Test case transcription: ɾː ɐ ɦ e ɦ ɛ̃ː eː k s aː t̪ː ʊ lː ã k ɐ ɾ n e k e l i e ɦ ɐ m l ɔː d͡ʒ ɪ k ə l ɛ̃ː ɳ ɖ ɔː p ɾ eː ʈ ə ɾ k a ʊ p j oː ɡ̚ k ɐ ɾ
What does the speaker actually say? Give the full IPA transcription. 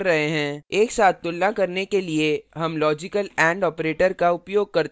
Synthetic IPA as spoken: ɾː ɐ ɦ e ɦ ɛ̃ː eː k s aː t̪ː ʊ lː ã k ɐ ɾ n e k e l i e ɦ ɐ m l ɔː d͡ʒ ɪ k ə l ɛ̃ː ɳ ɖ ɔː p ɾ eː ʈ ə ɾ k a ʊ p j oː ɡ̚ k ɐ ɾ